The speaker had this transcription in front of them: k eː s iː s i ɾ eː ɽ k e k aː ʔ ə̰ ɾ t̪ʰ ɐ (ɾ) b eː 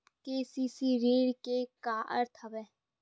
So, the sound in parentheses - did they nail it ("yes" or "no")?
no